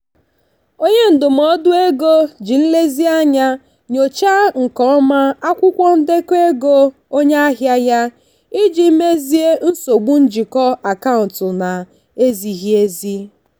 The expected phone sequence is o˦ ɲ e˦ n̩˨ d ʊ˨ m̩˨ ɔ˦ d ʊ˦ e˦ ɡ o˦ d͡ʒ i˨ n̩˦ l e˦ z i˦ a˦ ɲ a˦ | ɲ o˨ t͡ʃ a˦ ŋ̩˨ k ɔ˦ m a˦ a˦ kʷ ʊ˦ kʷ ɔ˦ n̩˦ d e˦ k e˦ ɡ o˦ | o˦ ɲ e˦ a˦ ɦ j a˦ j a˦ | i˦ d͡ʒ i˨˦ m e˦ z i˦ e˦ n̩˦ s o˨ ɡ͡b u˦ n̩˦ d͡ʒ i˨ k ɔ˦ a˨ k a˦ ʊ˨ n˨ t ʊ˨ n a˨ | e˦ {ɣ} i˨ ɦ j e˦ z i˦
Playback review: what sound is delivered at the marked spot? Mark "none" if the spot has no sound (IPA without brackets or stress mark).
z